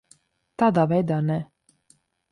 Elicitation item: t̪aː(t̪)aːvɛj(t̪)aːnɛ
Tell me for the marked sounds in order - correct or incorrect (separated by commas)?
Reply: incorrect, incorrect